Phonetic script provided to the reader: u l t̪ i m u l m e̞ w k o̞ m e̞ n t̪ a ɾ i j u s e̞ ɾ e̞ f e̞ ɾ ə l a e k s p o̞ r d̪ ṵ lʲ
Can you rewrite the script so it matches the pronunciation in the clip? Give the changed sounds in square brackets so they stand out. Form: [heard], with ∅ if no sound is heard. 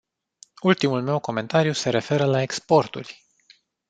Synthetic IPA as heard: u l t̪ i m u l m e̞ w k o̞ m e̞ n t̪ a ɾ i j u s e̞ ɾ e̞ f e̞ ɾ ə l a e k s p o̞ r [t̪] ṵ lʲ